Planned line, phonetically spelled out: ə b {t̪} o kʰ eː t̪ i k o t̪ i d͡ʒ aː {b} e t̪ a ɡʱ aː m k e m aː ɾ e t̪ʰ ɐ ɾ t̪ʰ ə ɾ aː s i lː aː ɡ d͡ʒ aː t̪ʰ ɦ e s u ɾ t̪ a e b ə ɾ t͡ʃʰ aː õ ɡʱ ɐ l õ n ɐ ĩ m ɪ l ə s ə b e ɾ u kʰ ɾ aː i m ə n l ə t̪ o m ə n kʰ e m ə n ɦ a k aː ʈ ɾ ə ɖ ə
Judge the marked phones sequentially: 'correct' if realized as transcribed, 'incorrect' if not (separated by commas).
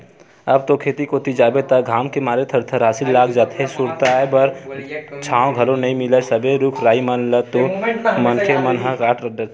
correct, correct